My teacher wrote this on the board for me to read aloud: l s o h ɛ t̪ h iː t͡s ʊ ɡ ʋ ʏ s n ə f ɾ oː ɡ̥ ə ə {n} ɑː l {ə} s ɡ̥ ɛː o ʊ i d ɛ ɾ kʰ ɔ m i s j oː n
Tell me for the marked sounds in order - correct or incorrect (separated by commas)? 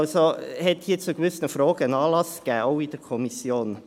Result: correct, incorrect